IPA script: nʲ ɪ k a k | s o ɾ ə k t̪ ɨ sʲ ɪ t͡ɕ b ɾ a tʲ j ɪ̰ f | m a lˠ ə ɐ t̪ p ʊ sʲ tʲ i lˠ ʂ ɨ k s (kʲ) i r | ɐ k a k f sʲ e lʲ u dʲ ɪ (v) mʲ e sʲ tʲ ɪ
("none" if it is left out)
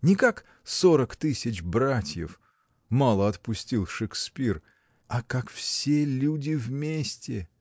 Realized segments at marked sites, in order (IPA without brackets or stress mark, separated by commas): pʲ, v